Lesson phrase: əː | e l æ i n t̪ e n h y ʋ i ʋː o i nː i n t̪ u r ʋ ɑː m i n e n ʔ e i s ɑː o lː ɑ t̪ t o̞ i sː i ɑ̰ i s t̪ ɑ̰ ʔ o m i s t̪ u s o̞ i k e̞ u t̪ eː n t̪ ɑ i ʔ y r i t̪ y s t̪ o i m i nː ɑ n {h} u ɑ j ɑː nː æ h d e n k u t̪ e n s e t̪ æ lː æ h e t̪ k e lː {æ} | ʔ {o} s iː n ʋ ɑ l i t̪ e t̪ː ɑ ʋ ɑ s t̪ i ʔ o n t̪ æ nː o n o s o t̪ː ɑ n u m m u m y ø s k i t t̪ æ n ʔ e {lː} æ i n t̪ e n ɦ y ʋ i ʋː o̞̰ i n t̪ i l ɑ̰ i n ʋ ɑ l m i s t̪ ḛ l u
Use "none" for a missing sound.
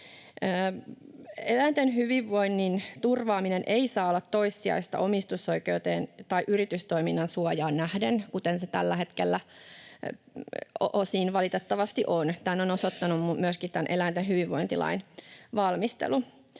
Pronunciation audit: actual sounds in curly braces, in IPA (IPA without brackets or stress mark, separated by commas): s, æ, o, l